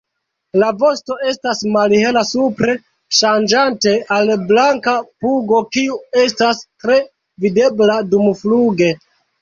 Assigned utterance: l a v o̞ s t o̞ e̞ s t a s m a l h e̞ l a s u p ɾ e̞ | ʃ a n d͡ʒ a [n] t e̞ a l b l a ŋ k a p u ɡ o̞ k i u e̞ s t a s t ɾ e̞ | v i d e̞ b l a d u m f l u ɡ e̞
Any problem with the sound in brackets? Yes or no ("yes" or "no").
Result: no